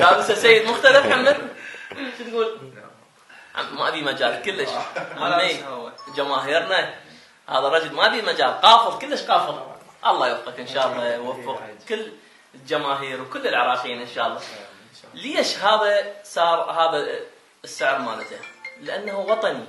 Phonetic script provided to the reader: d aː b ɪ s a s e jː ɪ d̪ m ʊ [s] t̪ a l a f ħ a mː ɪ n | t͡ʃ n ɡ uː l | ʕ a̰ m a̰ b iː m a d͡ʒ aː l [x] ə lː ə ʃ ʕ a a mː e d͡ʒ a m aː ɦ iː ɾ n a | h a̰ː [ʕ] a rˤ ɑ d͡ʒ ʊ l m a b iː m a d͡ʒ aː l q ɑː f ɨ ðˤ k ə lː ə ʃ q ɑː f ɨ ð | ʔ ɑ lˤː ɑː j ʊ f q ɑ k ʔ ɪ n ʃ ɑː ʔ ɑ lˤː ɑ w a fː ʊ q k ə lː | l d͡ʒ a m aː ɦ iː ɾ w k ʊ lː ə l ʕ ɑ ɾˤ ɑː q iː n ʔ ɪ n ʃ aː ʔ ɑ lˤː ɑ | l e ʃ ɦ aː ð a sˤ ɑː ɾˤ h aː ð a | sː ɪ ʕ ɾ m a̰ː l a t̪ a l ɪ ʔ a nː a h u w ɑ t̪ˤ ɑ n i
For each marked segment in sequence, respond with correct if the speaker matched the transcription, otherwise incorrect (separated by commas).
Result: incorrect, incorrect, incorrect